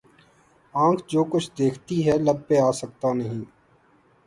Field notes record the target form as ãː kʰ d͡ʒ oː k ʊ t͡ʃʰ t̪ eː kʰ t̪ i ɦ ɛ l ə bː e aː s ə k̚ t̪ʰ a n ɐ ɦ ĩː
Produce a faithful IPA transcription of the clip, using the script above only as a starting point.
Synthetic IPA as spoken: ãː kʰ d͡ʒ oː k ʊ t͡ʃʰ d̪ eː kʰ t̪ i ɦ ɛ l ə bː e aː s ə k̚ t̪ a n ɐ ɦ ĩː